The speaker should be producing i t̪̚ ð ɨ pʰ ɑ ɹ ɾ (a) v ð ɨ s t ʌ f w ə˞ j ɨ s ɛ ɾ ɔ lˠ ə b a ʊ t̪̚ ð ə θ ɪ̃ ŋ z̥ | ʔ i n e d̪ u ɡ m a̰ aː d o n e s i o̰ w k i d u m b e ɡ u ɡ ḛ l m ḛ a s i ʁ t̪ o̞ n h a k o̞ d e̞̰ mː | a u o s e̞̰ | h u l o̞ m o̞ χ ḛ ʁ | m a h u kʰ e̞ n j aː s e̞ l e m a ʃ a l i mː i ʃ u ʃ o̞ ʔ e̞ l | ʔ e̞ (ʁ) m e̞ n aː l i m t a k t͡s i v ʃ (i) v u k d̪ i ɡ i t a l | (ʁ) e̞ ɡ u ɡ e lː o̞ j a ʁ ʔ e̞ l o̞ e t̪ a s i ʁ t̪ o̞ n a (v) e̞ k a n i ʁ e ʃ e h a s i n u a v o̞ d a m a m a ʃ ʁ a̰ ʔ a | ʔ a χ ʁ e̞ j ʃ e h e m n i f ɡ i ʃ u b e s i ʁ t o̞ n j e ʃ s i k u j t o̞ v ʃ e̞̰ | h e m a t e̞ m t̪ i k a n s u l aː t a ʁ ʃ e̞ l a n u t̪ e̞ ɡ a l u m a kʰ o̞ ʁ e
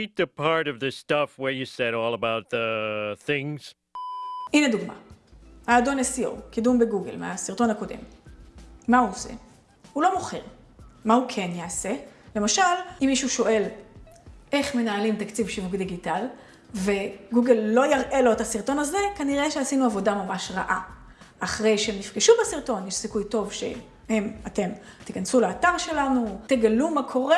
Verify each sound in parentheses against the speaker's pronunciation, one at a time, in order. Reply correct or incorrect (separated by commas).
incorrect, incorrect, correct, incorrect, incorrect